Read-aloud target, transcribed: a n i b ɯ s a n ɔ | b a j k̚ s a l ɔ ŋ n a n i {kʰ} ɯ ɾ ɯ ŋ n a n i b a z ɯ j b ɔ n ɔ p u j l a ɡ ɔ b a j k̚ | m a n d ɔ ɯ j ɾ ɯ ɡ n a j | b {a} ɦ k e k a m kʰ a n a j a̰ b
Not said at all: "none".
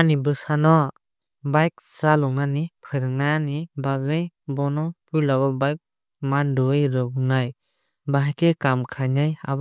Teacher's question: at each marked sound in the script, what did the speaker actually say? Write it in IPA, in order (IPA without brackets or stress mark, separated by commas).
pʰ, a